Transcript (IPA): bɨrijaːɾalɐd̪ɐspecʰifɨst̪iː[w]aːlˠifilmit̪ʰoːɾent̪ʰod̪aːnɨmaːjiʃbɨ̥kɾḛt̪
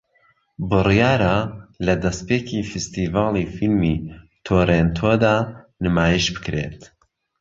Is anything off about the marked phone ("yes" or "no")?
yes